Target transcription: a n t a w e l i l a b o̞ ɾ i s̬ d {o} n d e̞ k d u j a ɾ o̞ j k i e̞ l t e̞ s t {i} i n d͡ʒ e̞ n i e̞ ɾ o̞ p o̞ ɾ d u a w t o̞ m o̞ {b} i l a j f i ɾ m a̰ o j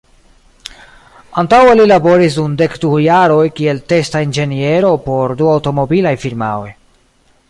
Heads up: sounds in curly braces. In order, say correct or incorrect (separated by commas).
incorrect, incorrect, correct